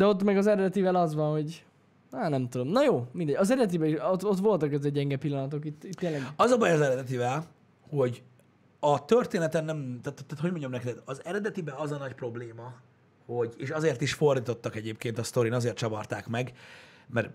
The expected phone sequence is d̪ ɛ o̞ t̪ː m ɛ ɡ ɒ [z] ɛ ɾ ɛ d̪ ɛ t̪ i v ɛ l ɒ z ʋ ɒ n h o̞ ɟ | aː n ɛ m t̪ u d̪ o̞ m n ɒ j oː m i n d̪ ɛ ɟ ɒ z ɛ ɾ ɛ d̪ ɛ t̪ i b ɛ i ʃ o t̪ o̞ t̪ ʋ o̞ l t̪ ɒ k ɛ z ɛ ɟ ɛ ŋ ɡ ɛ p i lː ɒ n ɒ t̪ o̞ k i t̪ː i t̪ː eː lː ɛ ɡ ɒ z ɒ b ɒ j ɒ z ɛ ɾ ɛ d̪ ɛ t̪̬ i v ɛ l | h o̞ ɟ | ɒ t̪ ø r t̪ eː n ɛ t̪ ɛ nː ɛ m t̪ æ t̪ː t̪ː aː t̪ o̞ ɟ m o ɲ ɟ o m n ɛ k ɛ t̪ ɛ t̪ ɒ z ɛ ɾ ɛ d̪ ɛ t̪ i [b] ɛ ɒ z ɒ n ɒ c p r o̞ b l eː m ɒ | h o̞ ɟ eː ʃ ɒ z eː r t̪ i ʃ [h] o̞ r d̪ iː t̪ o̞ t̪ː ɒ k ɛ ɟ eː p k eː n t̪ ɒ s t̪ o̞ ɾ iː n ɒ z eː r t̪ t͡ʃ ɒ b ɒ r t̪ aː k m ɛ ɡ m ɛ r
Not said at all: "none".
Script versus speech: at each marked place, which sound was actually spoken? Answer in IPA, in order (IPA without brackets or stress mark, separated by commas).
z, b, f